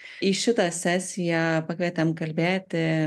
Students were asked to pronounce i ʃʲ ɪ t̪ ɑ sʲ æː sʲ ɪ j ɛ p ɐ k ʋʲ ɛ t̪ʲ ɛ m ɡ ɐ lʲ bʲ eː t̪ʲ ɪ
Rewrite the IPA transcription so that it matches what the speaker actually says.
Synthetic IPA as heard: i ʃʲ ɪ t̪ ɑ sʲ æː sʲ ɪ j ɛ p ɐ k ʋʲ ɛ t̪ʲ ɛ m k ɐ lʲ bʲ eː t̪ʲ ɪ